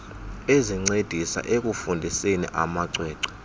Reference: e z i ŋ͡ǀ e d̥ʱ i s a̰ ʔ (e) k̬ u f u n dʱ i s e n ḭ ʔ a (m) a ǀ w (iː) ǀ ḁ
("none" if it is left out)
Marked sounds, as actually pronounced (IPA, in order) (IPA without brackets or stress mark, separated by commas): e, m, ɛː